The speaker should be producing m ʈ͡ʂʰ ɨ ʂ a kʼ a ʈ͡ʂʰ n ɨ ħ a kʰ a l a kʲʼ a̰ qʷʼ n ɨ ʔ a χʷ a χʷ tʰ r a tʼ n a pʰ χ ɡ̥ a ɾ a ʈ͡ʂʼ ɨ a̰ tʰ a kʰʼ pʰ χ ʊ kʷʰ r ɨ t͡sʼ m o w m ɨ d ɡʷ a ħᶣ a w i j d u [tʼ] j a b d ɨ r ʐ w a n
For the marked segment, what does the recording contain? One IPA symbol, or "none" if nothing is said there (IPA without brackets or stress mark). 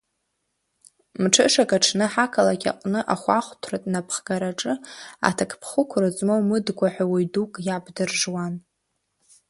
kʼ